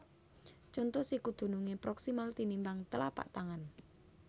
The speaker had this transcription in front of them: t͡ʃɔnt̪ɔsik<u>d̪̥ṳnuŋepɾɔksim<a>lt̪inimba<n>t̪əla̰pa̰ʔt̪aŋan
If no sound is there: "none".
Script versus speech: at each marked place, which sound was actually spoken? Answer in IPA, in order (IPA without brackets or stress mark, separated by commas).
u, a, ŋ